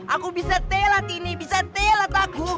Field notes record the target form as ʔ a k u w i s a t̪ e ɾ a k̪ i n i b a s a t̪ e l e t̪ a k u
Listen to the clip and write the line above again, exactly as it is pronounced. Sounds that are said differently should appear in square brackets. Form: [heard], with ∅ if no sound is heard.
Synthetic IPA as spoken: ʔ a k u [b] i s a t̪ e [l] a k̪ i n i b [i] s a t̪ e l [a] t̪ a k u